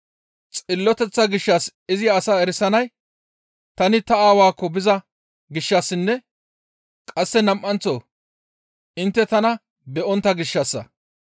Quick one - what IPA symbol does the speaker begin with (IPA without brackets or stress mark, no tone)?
t͡sʼ